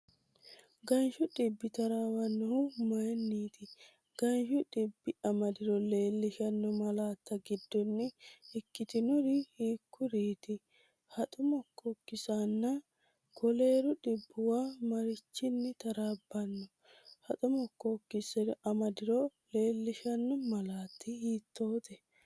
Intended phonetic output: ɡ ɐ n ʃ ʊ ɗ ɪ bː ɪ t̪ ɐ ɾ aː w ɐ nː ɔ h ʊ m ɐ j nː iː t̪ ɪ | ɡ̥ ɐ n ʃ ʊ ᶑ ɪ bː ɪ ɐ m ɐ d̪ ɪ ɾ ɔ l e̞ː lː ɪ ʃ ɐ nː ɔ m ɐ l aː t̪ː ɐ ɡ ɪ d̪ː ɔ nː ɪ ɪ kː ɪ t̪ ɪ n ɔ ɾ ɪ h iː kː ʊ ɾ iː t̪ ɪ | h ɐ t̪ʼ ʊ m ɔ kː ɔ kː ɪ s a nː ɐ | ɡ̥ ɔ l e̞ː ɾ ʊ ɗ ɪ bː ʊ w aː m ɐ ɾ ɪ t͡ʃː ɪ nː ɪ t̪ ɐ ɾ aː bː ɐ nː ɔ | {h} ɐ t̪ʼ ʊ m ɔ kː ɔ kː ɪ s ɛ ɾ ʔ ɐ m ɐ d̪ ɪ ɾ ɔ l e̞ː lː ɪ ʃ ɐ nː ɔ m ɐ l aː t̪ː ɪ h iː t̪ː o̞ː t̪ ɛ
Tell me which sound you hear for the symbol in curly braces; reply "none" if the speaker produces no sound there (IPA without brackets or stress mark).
h